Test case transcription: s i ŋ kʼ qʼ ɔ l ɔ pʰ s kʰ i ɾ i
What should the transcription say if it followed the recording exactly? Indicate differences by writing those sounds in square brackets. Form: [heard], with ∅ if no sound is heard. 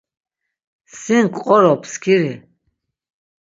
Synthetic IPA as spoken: s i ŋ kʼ qʼ ɔ [ɾ] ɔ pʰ s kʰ i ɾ i